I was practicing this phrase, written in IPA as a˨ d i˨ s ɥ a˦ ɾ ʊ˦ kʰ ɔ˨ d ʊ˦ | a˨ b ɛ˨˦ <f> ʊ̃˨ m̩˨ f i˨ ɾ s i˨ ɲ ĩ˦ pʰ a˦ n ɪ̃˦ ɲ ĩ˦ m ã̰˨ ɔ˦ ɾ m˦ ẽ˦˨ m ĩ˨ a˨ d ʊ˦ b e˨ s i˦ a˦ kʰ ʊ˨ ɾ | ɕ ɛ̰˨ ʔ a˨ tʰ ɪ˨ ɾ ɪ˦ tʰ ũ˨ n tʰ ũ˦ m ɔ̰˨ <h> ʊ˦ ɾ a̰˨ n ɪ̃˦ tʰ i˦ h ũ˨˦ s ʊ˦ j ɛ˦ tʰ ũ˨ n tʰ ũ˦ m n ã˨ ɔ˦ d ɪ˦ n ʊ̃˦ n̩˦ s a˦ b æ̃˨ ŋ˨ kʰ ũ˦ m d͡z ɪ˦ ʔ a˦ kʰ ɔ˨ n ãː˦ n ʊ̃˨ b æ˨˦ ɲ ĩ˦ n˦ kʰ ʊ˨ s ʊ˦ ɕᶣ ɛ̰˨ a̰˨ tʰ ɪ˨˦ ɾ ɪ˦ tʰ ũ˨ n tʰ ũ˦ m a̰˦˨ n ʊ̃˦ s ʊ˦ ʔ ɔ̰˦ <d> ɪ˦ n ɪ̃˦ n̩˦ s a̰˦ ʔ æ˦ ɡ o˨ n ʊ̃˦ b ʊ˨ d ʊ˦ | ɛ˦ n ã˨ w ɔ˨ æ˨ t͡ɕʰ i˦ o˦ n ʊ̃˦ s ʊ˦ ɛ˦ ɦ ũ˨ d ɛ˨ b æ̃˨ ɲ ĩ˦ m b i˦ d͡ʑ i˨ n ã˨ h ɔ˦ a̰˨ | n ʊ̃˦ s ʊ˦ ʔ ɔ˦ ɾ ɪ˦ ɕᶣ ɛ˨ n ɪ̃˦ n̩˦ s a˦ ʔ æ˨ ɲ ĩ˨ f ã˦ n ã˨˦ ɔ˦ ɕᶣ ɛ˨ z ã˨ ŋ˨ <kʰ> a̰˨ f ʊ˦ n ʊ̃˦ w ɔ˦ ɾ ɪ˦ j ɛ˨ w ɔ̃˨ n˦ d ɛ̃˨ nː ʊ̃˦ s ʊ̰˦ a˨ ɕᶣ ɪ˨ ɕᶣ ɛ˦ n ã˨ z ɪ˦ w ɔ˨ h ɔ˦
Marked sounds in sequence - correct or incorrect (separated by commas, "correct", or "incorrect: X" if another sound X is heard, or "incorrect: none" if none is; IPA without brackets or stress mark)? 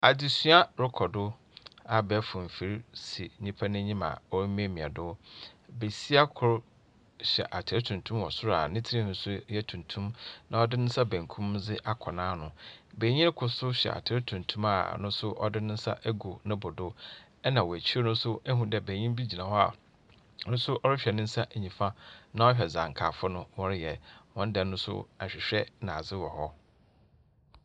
correct, incorrect: s, correct, correct